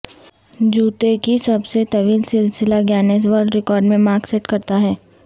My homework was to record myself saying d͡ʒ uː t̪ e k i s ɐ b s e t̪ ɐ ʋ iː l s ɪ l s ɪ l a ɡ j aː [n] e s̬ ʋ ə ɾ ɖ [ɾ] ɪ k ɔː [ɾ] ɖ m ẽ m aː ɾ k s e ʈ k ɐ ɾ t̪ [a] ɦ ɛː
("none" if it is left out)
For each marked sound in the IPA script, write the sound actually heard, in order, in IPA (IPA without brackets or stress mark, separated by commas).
n, ɾ, ɾ, a